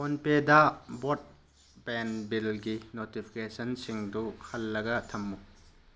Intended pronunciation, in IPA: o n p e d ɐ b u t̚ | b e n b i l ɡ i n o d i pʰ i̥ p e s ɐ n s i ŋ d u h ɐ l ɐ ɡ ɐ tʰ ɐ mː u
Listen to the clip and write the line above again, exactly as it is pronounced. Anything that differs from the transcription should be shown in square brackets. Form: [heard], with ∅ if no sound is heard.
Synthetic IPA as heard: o n p e d ɐ b [o] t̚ | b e n b i l ɡ i n o [t] i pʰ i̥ [k] e s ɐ n s i ŋ d u h ɐ [lː] ɐ ɡ ɐ tʰ ɐ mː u